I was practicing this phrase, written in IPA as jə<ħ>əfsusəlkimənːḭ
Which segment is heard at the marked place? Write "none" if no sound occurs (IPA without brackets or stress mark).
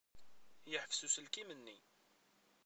ħ